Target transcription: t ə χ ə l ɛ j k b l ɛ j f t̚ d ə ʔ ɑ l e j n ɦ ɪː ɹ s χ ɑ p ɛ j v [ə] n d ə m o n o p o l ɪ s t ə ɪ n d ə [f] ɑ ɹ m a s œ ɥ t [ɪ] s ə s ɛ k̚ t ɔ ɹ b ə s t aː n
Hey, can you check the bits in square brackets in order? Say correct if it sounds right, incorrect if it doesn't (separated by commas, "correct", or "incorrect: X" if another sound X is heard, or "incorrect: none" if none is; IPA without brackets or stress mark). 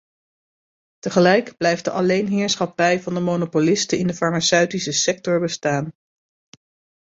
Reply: incorrect: ɑ, correct, incorrect: i